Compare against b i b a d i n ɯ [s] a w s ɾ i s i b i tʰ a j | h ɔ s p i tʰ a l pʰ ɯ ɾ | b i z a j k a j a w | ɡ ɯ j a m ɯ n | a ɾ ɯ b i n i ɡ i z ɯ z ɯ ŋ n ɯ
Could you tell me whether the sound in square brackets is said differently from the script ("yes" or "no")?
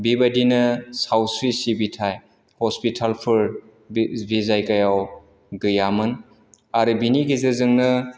no